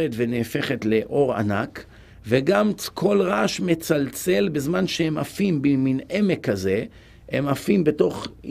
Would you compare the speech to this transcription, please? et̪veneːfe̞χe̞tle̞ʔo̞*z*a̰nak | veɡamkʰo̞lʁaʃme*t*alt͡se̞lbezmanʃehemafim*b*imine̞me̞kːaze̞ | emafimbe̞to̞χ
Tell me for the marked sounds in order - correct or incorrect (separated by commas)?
incorrect, incorrect, correct